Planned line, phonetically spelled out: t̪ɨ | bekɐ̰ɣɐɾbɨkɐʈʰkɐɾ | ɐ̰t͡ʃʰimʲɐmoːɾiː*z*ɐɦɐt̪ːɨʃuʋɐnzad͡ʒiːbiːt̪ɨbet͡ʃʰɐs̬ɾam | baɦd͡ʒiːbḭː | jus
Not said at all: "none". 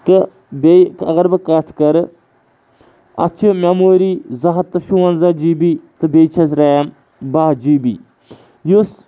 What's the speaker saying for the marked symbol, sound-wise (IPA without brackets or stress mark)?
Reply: z